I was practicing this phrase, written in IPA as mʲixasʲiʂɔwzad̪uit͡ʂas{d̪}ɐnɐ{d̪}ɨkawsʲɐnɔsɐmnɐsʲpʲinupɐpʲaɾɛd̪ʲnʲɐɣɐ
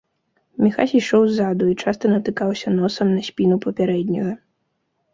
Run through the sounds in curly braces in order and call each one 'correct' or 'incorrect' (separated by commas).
incorrect, incorrect